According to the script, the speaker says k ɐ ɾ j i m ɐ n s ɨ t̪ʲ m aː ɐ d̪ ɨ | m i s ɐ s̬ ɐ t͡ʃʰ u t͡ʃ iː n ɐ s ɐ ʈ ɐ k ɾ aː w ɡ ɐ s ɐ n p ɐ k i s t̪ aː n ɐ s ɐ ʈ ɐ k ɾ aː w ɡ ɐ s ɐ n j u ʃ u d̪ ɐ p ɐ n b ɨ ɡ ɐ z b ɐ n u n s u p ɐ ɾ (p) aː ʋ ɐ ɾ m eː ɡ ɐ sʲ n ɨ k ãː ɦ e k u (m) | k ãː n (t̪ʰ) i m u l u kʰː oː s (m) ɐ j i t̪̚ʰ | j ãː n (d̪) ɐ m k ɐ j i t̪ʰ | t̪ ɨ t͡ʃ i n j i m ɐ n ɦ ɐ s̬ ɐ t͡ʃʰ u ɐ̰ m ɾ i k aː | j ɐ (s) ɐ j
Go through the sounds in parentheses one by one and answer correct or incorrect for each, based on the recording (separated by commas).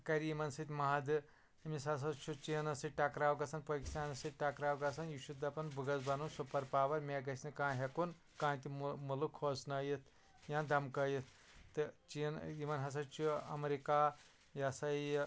correct, incorrect, incorrect, incorrect, correct, correct